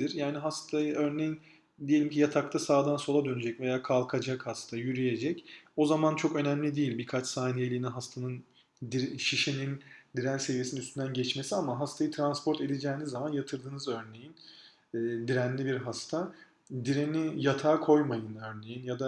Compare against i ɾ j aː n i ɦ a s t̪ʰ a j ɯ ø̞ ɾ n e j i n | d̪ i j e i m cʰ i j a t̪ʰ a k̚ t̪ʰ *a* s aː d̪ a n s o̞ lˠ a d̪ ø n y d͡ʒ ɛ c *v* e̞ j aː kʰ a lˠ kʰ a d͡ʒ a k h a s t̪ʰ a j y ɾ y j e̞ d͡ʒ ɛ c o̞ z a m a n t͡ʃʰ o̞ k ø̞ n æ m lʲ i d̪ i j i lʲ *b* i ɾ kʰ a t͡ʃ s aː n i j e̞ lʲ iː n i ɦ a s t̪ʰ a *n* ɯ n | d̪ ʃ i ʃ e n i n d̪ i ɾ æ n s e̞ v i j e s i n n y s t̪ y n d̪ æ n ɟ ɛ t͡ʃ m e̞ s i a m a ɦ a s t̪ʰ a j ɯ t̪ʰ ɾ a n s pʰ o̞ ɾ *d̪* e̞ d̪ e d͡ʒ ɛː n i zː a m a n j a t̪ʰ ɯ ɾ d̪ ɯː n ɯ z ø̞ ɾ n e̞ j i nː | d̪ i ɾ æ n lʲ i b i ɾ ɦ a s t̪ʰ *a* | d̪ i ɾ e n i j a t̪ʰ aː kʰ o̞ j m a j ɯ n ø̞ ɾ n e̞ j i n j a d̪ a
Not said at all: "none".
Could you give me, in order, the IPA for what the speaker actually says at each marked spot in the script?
a, v, b, n, t̪, a

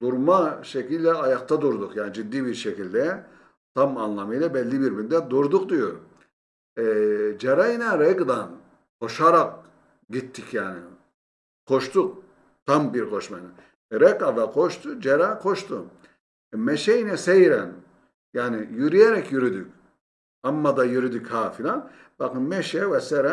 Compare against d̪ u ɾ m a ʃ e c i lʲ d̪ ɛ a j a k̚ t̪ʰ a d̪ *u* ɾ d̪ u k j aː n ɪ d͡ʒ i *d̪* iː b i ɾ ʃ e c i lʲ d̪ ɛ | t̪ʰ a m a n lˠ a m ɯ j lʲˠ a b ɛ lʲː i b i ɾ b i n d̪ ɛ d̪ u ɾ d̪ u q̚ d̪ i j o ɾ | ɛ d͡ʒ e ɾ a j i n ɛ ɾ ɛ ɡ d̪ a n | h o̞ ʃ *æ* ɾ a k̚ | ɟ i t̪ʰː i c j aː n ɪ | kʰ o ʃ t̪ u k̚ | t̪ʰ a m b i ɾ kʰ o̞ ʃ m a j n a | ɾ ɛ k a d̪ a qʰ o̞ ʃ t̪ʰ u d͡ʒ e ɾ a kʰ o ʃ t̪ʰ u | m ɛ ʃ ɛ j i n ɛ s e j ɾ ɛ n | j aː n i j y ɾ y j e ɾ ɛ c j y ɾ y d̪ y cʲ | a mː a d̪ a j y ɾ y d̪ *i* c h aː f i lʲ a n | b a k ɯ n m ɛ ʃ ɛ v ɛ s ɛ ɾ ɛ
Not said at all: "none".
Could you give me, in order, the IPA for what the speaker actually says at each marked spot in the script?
u, d̪ː, a, y

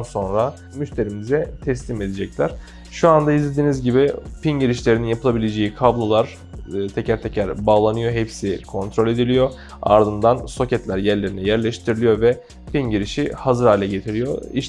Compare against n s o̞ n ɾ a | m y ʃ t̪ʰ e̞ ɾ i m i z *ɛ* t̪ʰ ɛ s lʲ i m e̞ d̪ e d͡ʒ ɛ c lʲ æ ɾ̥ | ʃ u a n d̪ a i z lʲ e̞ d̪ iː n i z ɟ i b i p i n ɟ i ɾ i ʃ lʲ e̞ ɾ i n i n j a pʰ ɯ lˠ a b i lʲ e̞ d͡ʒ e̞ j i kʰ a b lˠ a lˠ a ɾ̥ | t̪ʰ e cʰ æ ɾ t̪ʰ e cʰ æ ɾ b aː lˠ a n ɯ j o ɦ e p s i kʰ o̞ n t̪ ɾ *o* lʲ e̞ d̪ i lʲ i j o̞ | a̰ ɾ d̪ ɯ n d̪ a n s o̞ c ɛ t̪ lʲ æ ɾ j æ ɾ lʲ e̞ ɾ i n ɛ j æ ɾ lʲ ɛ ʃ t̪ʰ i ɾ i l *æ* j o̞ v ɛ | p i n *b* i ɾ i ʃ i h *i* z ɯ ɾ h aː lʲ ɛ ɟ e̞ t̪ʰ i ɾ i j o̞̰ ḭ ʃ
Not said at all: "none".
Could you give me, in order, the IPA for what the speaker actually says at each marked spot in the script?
ɛ, o, i, ɟ, a

